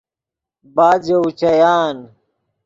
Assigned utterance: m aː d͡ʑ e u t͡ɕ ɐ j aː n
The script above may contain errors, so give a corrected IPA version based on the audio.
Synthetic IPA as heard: b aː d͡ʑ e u t͡ɕ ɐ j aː n